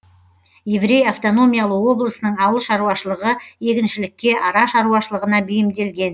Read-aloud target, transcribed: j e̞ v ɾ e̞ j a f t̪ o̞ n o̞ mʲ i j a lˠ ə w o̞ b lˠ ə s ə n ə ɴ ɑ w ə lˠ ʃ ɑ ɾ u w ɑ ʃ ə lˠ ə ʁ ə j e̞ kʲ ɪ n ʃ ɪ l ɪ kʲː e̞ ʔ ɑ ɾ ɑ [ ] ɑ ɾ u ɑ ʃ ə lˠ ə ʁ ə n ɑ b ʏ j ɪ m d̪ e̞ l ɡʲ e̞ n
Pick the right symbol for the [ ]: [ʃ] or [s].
ʃ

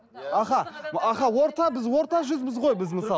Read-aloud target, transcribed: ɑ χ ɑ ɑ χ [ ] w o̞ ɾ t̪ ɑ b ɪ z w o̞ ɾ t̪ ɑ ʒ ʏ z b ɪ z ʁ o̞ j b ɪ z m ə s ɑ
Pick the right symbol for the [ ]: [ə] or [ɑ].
ɑ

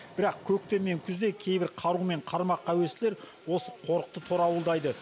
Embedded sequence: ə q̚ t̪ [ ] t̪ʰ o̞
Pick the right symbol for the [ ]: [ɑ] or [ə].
ə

